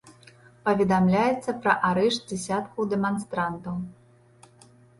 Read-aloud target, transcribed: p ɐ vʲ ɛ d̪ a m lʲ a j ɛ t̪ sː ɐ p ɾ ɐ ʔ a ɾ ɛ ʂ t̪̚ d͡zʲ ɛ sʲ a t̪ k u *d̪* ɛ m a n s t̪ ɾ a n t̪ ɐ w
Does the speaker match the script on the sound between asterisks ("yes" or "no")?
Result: yes